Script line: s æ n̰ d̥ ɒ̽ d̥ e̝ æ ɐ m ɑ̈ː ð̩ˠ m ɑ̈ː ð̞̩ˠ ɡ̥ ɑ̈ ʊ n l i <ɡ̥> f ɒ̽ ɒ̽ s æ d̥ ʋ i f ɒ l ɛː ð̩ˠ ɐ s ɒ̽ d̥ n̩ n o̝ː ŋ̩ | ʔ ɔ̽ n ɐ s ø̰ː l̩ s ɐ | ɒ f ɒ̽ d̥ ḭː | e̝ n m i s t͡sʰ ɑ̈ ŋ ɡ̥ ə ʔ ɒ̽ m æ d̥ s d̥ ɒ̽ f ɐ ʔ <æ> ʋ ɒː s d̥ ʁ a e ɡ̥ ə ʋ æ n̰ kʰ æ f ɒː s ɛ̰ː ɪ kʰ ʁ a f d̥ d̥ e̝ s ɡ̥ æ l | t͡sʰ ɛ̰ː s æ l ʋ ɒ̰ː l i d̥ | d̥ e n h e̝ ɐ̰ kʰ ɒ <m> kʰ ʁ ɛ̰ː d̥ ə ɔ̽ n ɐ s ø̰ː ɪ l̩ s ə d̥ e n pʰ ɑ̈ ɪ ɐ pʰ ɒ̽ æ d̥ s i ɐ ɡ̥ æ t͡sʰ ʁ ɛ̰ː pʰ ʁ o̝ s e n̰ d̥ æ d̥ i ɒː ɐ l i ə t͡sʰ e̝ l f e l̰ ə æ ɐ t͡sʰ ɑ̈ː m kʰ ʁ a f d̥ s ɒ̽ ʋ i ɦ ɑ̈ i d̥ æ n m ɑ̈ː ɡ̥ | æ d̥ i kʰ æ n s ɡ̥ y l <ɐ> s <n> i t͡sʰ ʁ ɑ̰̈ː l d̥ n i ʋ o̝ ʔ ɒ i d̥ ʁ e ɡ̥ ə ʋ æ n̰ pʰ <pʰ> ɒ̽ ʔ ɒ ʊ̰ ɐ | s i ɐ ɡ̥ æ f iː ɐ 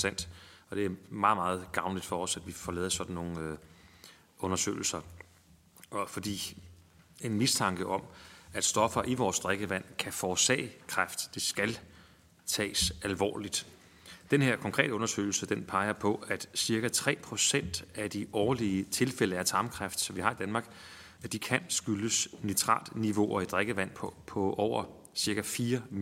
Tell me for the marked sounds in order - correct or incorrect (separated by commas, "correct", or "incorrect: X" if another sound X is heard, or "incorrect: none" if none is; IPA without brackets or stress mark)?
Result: incorrect: d̥, incorrect: i, incorrect: ŋ, incorrect: ə, correct, correct